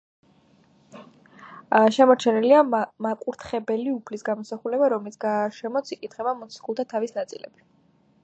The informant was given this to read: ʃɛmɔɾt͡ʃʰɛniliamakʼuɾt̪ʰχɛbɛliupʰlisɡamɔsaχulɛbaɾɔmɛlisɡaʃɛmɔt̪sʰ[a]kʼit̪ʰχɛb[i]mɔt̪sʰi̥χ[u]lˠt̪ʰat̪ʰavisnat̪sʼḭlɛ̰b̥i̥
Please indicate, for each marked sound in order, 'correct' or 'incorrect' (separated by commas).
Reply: incorrect, incorrect, correct